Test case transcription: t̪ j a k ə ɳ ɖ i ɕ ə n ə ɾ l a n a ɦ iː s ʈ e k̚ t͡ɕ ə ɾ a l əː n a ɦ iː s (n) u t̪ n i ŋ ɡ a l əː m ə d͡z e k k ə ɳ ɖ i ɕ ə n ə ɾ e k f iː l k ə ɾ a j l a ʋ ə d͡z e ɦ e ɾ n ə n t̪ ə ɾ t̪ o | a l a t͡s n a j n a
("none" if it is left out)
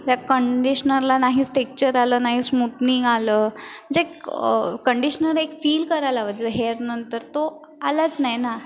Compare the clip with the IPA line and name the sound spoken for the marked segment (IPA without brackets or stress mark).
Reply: m